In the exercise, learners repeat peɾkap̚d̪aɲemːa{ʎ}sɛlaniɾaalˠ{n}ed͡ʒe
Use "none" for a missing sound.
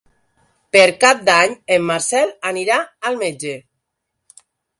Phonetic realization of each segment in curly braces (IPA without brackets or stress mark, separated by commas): ɾ, m